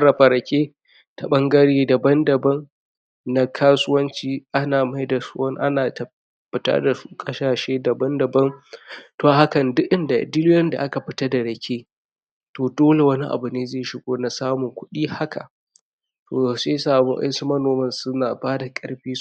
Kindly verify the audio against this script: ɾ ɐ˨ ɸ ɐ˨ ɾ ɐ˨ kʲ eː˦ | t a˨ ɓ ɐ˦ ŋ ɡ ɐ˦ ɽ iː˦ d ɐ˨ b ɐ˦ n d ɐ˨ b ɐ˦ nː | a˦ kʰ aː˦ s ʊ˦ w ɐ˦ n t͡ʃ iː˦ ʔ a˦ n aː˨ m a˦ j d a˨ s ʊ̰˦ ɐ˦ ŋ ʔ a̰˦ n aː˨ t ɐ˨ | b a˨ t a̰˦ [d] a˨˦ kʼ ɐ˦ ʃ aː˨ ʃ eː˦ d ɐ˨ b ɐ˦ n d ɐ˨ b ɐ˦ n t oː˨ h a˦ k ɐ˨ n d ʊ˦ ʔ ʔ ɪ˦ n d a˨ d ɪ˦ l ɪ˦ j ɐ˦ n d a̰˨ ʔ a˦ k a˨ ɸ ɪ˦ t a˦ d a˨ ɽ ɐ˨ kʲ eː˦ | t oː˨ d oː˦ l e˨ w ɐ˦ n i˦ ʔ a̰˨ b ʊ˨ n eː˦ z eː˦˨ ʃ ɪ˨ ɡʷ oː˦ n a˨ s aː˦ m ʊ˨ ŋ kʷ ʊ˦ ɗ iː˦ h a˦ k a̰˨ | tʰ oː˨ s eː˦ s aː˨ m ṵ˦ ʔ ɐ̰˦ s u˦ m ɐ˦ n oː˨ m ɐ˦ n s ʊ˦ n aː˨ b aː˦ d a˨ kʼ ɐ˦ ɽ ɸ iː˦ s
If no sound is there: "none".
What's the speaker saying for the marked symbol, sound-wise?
d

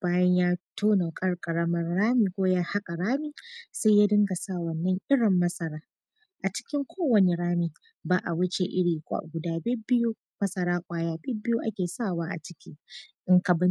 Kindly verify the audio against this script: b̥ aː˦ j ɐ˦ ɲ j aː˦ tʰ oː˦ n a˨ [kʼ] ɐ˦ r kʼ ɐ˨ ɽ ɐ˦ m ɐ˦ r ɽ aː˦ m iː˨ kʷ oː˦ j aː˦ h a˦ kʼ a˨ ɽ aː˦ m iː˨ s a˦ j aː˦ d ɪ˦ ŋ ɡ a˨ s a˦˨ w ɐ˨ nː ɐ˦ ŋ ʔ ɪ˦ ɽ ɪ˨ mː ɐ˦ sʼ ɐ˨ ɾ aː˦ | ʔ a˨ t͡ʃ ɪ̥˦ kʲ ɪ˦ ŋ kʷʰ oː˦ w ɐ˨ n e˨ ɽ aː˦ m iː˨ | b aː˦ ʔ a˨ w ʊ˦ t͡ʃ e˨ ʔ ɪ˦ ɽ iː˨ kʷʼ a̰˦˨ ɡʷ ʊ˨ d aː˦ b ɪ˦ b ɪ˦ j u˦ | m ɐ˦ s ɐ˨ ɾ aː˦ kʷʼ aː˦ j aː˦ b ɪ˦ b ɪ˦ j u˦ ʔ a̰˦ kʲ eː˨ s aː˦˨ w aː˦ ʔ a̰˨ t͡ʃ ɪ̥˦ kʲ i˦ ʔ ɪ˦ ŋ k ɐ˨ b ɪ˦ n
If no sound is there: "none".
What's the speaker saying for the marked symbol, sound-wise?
kʼ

